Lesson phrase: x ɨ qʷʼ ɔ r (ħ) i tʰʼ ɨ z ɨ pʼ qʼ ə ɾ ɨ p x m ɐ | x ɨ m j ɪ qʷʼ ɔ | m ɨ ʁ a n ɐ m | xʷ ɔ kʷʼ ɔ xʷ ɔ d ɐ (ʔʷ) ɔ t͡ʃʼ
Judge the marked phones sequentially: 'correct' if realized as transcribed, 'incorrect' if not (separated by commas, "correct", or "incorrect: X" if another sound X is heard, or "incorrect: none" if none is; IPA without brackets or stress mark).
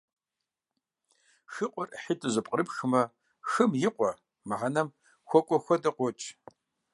correct, incorrect: qʷ